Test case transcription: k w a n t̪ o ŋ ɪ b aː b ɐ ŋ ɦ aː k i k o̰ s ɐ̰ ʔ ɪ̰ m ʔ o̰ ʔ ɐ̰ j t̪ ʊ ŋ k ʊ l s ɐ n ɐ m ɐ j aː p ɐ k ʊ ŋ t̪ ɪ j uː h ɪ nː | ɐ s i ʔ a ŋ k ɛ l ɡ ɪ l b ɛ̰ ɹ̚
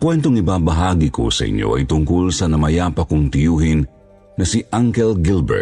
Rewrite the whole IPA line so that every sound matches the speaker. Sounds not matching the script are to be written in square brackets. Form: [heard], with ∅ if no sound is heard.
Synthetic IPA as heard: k w [ɛ] n t̪ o ŋ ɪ b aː b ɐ [∅] ɦ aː [ɡ] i k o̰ s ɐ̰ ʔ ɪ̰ [ɲ] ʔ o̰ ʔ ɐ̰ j t̪ ʊ ŋ k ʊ l s ɐ n ɐ m ɐ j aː p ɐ k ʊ ŋ t̪ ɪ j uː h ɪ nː | ɐ s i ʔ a ŋ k ɛ l ɡ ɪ l b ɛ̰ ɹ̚